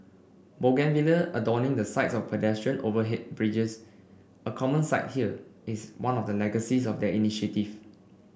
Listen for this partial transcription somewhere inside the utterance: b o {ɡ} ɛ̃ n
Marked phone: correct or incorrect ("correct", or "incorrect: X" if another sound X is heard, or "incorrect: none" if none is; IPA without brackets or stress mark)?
correct